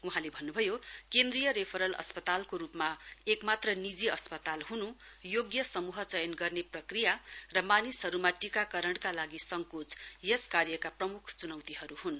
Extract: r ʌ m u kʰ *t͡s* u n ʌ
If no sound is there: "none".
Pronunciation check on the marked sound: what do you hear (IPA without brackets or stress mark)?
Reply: t͡s